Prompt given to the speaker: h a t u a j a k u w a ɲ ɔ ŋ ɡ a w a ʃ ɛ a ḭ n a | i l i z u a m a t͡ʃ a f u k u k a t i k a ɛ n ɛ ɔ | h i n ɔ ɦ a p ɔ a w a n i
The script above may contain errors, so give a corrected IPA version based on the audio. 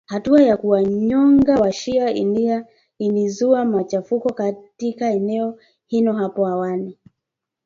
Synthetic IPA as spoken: h a t u a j a k u w a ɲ ɔ ŋ ɡ a w a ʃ i a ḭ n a | i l i z u a m a t͡ʃ a f u k ɔ k a t i k a ɛ n ɛ ɔ | h i n ɔ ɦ a p ɔ a w a n i

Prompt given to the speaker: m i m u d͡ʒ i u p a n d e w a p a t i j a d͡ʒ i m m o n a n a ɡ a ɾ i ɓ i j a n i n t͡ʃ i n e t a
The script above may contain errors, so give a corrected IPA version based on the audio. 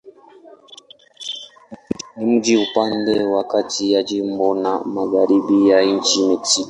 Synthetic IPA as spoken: n i m u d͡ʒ i u p a n d e w a k a t i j a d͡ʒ i m b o n a m a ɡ a ɾ i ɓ i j a i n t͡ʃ i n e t i

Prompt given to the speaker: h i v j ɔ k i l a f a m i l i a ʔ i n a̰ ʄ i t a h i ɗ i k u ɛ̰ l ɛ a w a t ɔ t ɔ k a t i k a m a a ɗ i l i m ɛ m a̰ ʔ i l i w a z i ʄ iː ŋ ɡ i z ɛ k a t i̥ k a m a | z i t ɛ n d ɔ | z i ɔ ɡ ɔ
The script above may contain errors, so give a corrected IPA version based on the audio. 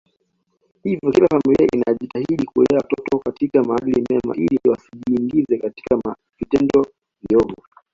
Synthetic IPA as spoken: h i v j ɔ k i l a f a m i l i a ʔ i n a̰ ʄ i t a h i ɗ i k u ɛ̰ l ɛ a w a t ɔ t ɔ k a t i k a m a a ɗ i l i m ɛ m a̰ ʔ i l i w a s i ʄ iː ŋ ɡ i z ɛ k a t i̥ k a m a | v i t ɛ n d ɔ | v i ɔ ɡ ɔ

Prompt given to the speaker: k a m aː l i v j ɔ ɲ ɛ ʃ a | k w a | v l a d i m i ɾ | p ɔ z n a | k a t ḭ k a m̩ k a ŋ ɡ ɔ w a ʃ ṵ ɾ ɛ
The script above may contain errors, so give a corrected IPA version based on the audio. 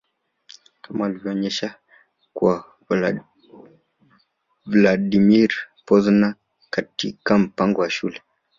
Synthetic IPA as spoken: k a m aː l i v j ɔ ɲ ɛ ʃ a | k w a | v l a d i m i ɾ | p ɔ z n a | k a t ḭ k a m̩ p a ŋ ɡ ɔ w a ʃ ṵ l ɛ

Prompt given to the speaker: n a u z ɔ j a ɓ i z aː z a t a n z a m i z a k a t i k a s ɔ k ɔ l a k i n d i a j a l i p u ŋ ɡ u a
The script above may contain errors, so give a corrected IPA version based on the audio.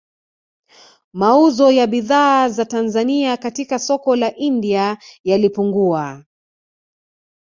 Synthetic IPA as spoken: m a u z ɔ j a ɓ i ð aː z a t a n z a n i a k a t i k a s ɔ k ɔ l a ʔ i n d i a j a l i p u ŋ ɡ u a

